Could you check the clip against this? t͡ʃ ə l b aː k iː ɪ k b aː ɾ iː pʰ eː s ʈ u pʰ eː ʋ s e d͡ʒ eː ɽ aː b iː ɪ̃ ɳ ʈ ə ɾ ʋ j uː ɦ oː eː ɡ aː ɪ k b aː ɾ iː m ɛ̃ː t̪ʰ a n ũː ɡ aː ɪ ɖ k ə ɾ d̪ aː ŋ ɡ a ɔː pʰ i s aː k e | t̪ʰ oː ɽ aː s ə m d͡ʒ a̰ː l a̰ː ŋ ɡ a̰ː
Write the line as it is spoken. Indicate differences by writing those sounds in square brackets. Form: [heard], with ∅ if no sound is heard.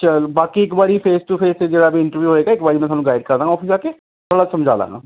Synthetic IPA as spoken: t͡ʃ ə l b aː k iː ɪ k b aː ɾ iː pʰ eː s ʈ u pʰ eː [∅] s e d͡ʒ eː ɽ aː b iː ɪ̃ ɳ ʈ ə ɾ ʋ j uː ɦ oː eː ɡ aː ɪ k b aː ɾ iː m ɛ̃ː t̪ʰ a n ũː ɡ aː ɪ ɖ k ə ɾ d̪ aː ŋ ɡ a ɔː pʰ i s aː k e | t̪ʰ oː ɽ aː s ə m d͡ʒ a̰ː l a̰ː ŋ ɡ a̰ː